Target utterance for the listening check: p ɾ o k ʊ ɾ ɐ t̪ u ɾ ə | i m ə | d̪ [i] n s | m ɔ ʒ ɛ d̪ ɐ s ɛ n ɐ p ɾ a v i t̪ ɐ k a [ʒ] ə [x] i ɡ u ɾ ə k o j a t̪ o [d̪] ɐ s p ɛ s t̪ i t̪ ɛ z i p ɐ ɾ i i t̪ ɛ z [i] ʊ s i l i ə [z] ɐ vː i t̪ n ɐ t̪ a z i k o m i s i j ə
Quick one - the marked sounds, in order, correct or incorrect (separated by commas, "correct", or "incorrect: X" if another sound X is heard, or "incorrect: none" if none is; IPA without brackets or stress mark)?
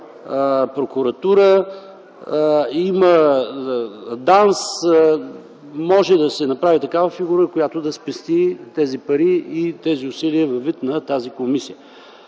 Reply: incorrect: a, incorrect: v, incorrect: f, correct, correct, incorrect: v